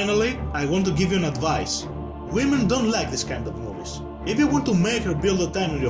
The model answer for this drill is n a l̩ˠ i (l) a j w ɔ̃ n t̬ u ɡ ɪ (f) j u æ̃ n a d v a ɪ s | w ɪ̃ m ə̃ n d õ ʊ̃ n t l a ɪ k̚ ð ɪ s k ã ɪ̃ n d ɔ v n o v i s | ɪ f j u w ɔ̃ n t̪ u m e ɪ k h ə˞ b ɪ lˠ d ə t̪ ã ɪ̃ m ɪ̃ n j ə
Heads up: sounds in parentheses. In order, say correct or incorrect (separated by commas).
incorrect, incorrect